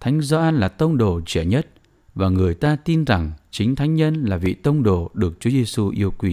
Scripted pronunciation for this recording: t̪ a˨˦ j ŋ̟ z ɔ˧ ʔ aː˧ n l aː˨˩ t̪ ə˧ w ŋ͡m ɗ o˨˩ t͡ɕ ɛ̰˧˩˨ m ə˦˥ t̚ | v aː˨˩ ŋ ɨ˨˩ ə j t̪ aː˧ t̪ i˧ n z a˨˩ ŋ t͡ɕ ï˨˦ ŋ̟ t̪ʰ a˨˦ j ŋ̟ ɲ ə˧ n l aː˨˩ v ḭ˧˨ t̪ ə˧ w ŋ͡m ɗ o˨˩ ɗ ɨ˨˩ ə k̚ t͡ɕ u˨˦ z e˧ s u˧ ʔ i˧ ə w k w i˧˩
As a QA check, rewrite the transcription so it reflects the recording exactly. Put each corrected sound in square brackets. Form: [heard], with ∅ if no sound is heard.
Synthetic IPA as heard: [t̪ʰ] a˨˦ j ŋ̟ z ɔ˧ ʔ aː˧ n l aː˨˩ t̪ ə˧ w ŋ͡m ɗ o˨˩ t͡ɕ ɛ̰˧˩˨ [ɲ] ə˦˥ t̚ | v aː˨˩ ŋ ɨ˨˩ ə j t̪ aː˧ t̪ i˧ n z a˨˩ ŋ t͡ɕ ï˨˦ ŋ̟ t̪ʰ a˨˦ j ŋ̟ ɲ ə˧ n l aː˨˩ v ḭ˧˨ t̪ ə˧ w ŋ͡m ɗ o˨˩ ɗ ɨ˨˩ ə k̚ t͡ɕ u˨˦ z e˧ s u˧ ʔ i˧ ə w k w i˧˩